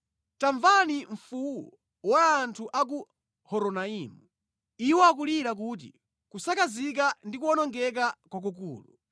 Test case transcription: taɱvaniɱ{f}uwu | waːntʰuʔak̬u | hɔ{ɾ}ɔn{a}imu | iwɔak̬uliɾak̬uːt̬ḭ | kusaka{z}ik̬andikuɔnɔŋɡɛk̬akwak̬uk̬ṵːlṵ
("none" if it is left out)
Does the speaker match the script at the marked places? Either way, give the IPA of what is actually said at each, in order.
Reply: f, ɾ, a, z

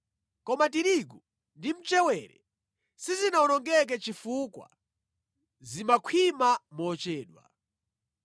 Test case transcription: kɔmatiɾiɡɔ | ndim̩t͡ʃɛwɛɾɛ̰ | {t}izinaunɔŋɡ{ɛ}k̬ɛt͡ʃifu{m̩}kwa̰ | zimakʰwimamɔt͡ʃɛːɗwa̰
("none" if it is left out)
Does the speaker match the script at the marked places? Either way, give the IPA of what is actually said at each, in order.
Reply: s, ɛ, none

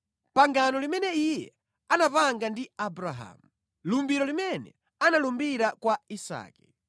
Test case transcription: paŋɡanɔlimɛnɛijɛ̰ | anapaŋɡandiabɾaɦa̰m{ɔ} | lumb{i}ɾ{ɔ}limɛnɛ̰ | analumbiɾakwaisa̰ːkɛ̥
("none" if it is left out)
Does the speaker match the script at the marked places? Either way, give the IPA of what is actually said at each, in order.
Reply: u, i, ɔ

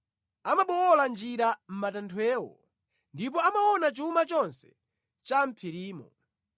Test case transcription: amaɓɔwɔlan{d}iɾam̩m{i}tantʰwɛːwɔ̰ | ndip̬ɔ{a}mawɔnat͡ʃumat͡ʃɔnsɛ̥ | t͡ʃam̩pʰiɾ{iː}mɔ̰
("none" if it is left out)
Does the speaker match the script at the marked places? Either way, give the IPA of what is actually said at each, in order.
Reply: d͡ʒ, a, a, iː

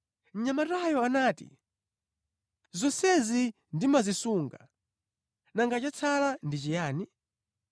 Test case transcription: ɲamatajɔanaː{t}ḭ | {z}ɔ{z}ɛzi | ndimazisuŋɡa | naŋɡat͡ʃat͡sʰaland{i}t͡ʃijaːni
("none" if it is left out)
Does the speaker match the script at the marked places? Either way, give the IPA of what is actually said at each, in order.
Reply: t, z, s, i

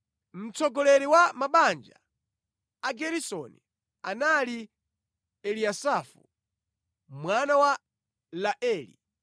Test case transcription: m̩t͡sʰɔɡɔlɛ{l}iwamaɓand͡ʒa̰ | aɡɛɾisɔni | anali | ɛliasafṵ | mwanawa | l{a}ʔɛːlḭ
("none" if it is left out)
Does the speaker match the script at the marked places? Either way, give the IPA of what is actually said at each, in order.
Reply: ɾ, a

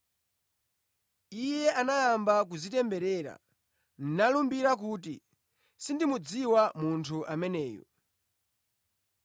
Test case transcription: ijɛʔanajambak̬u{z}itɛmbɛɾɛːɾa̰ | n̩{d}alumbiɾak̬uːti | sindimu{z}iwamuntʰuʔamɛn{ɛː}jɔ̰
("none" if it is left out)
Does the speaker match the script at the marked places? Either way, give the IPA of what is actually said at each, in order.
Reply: z, n, d͡z, ɛː

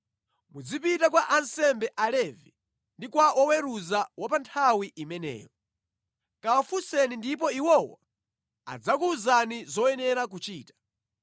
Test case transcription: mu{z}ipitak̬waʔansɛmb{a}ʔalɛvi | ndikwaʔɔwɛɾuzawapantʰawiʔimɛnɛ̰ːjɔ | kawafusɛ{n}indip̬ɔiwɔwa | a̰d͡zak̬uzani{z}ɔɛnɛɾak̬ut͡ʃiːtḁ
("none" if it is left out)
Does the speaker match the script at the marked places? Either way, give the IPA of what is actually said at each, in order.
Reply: d͡z, ɛ, n, z

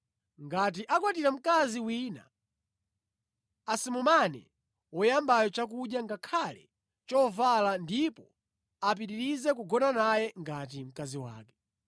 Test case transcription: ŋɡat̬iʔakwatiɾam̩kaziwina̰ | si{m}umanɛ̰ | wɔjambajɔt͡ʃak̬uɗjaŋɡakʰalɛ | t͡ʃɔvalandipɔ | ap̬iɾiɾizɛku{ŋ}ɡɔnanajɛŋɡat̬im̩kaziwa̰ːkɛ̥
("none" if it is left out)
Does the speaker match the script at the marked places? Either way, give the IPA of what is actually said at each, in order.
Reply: m, none

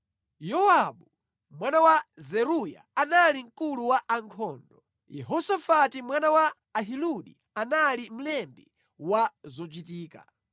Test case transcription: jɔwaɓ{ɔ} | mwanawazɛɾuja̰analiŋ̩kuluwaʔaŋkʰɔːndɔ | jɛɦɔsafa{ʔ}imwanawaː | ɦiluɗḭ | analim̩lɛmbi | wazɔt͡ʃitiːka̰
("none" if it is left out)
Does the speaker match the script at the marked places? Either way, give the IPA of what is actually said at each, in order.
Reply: u, t

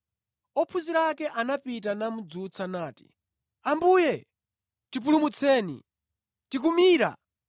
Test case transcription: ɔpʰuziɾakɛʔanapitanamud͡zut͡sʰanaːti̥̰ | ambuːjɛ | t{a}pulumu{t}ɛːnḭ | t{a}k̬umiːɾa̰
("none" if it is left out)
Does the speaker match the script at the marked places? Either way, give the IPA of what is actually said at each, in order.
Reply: i, t͡sʰ, i

